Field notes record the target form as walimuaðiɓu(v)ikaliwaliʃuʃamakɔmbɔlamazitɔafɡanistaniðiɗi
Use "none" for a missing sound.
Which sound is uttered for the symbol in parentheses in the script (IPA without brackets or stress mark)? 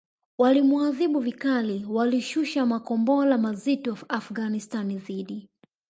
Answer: v